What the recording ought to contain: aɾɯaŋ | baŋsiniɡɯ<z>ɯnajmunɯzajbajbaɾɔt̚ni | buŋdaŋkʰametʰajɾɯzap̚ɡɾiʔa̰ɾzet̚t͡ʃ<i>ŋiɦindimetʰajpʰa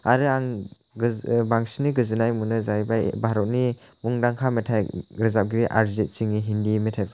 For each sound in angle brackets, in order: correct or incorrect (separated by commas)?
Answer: correct, correct